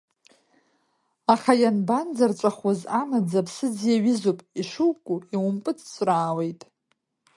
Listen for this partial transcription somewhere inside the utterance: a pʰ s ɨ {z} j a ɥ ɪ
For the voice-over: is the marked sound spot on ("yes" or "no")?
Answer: no